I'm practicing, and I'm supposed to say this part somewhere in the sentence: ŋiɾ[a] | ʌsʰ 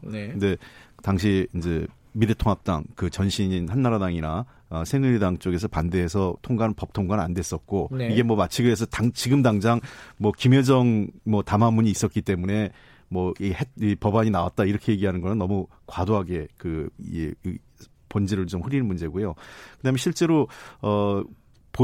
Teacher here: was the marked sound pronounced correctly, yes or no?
yes